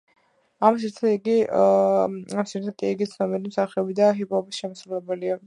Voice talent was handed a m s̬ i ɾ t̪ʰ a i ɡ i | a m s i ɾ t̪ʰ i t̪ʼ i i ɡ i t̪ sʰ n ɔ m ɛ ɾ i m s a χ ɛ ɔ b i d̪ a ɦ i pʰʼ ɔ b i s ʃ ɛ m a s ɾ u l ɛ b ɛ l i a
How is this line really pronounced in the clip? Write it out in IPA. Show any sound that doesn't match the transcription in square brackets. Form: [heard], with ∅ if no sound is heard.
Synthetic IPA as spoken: a m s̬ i ɾ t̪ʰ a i ɡ i | a m s i ɾ t̪ʰ [a] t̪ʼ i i ɡ i t̪ sʰ n ɔ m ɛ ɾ i m s a χ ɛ ɔ b i d̪ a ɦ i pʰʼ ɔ b i s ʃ ɛ m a s ɾ u l ɛ b ɛ l i a